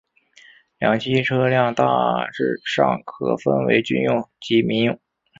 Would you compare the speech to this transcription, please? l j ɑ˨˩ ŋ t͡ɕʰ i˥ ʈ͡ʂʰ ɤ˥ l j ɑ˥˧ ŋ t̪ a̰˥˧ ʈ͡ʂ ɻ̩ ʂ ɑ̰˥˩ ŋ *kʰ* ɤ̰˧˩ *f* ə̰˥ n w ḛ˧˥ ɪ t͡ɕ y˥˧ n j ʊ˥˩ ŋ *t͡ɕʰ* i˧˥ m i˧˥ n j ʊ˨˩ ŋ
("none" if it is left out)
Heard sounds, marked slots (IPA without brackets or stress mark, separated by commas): kʰ, f, t͡ɕ